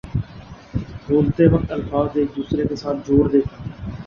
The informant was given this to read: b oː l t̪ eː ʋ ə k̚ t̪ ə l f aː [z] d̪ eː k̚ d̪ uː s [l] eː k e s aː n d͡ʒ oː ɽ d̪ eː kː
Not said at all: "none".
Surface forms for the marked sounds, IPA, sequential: z, ɾ

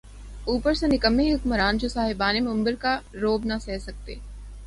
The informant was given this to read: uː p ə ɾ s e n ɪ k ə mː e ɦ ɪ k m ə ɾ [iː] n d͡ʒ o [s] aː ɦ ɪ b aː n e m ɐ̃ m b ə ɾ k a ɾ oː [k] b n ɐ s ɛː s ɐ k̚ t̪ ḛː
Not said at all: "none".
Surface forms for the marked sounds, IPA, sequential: aː, s, none

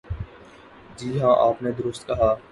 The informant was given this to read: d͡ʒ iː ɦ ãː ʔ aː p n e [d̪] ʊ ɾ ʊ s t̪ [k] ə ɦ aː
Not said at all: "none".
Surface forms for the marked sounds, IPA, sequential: d̪, k

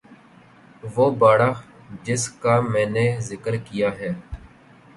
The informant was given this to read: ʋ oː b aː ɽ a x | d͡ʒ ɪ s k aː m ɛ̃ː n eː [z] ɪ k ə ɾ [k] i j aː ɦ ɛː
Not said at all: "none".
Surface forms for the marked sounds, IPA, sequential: z, k

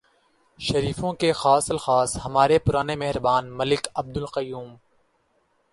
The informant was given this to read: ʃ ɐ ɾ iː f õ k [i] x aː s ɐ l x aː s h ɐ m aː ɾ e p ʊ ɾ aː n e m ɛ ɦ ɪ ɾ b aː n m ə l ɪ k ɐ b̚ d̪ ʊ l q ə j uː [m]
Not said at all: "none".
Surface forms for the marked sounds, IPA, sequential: e, m

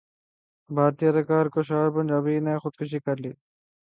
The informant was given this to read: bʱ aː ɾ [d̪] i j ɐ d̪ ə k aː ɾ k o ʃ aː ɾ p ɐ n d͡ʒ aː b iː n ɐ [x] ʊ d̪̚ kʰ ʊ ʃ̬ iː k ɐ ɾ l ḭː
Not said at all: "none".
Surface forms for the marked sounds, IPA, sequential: t̪, x

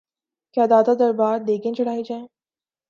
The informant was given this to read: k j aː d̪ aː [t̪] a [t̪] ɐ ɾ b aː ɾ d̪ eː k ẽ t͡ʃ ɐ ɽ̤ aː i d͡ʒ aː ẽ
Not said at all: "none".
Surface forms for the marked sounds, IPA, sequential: d̪, d̪

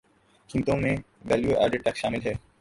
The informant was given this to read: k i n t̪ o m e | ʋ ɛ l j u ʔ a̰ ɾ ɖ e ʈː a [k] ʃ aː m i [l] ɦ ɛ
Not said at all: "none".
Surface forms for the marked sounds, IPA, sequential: k, l

